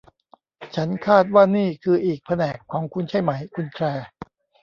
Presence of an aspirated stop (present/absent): present